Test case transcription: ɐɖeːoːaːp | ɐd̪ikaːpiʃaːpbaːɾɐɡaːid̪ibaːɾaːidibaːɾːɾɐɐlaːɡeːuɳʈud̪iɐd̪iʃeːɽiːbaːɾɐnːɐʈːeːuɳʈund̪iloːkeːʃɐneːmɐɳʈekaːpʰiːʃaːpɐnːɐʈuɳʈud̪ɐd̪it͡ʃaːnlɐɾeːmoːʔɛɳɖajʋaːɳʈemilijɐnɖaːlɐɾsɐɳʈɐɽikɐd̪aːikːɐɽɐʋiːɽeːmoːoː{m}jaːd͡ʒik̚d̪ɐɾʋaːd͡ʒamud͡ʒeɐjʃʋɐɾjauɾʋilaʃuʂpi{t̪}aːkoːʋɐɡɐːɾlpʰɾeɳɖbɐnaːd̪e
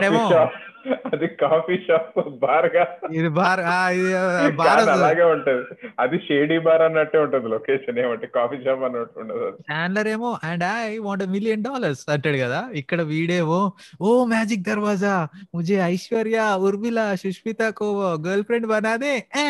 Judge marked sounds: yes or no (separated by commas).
yes, yes